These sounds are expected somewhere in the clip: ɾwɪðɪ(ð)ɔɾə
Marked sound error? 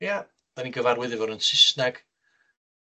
yes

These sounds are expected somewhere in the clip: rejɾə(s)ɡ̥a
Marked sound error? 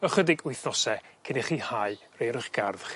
yes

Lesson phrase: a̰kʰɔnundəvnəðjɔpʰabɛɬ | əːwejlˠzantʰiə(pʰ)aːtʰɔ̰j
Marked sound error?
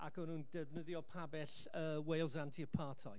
no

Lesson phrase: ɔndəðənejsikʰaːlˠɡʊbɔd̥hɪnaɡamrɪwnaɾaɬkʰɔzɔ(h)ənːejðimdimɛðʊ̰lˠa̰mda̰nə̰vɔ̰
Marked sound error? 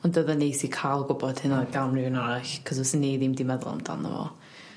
yes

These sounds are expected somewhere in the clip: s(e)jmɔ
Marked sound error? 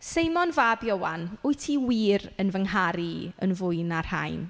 no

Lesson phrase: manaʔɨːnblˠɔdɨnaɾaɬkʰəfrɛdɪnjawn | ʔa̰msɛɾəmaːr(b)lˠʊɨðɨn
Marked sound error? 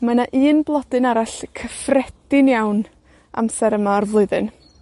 yes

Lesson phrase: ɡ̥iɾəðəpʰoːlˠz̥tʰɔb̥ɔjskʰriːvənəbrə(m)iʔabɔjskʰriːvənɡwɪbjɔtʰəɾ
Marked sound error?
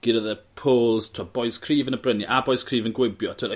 yes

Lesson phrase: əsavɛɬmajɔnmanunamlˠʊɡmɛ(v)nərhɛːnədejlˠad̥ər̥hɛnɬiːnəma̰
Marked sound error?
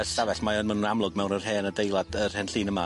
yes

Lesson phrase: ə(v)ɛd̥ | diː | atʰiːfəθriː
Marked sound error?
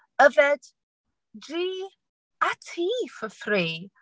no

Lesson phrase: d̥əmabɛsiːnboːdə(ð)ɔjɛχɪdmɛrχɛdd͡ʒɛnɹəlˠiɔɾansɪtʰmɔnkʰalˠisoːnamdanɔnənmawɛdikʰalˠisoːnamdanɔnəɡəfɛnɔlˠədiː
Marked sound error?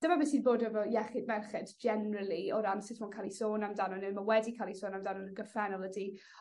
yes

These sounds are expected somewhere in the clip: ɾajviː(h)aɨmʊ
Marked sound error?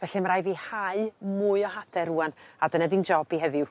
no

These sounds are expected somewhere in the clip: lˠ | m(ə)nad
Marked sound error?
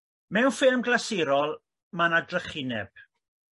yes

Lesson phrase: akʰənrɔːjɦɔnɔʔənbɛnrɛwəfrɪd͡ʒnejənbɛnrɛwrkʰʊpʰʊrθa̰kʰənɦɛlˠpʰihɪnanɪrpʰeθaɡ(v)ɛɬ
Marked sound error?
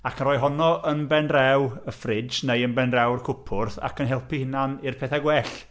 yes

